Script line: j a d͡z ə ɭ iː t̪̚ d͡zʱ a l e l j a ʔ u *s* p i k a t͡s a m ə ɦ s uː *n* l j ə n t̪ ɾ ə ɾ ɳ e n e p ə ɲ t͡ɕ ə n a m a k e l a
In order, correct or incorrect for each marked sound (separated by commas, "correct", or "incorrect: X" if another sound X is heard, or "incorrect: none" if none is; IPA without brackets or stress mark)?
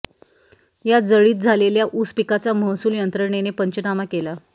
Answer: correct, incorrect: none